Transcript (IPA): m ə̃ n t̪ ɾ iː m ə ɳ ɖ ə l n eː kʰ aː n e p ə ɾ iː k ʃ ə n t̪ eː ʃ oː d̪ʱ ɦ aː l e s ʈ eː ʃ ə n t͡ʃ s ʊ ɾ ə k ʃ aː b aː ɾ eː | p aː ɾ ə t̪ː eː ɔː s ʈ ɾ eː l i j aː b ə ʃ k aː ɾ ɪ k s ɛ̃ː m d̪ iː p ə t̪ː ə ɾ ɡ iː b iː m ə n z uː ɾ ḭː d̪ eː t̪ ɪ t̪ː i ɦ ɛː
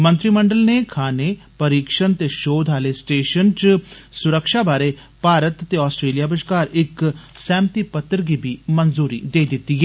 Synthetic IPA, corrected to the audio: m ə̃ n t̪ ɾ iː m ə ɳ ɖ ə l n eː kʰ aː n e p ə ɾ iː k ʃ ə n t̪ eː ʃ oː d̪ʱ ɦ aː l e s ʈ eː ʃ ə n t͡ʃ s ʊ ɾ ə k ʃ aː b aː ɾ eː | p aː ɾ ə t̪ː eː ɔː s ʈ ɾ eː l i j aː b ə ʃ k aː ɾ ɪ k s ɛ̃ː m t̪ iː p ə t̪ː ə ɾ ɡ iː b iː m ə n z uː ɾ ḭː d̪ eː d̪ ɪ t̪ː i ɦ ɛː